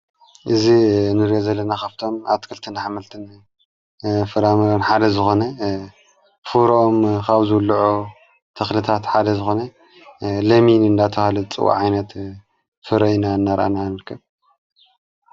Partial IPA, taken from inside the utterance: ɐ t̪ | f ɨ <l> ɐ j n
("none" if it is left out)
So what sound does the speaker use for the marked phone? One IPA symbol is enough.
ɾ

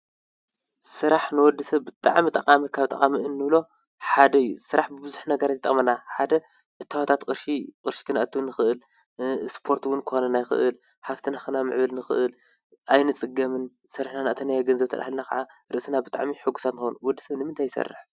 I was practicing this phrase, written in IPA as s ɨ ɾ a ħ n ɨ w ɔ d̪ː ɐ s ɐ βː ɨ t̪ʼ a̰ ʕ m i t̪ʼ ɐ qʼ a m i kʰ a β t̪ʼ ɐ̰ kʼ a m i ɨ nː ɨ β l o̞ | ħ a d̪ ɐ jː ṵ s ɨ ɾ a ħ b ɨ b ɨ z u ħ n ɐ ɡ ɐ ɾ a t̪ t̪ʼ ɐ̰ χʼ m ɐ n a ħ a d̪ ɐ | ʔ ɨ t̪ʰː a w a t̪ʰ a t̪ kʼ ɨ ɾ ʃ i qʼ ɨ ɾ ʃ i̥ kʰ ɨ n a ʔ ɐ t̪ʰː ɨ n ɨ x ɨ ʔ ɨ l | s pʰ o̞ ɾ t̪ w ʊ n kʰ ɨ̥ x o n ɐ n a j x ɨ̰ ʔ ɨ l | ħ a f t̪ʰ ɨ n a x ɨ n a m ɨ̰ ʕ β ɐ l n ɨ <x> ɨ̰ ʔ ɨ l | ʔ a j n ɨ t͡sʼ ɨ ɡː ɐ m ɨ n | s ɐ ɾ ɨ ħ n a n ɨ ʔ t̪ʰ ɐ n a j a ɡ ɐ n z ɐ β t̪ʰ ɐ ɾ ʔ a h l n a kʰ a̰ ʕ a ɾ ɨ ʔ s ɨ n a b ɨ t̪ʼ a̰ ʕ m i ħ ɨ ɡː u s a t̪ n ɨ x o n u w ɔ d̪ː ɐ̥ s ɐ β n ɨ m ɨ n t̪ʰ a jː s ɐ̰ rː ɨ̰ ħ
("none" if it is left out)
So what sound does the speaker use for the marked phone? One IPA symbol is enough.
x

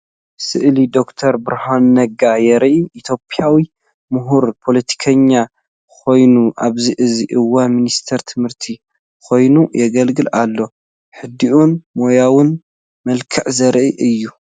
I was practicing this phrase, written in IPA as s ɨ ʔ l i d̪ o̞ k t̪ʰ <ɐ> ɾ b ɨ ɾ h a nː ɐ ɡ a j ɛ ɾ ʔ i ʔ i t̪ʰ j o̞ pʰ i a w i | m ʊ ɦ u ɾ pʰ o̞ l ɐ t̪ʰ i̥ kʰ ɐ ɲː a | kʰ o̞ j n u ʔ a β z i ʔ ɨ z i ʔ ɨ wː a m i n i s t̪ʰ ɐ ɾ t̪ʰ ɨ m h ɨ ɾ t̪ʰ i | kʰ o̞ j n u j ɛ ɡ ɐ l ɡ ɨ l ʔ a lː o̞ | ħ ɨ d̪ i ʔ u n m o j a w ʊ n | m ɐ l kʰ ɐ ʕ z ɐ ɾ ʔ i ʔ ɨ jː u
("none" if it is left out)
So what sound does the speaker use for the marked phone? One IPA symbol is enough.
ɐ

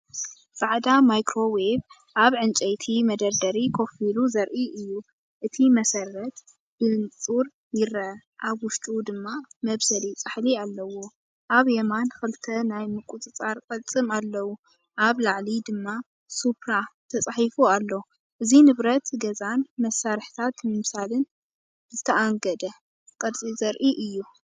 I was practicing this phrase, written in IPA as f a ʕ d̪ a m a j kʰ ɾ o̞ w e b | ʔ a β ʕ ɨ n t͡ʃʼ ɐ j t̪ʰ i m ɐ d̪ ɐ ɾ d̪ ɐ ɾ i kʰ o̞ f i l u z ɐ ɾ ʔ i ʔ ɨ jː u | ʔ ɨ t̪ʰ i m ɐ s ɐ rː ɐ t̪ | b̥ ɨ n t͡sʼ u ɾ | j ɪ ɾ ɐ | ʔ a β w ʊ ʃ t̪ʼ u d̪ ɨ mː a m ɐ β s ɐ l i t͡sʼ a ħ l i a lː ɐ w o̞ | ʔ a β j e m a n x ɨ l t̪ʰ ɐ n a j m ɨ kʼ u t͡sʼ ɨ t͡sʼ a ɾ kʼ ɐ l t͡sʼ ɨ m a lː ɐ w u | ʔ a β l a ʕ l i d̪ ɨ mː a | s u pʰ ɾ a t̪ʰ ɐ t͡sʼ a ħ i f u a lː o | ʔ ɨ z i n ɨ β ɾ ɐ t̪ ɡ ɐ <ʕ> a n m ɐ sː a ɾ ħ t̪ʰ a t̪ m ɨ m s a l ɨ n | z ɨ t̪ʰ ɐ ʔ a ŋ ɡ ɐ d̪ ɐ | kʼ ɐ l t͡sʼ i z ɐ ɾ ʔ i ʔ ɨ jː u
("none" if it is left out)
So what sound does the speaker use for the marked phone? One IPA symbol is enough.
z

